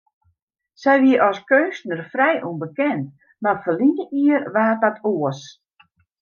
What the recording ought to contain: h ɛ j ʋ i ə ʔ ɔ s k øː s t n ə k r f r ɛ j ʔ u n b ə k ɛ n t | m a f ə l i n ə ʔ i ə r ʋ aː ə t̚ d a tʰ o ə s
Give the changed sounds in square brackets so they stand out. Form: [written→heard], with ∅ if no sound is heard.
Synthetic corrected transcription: [h→s] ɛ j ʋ i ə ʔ ɔ s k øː s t n ə [k→∅] r f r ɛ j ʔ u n b ə k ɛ n t | m a f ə l i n ə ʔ i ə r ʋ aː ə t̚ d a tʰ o ə s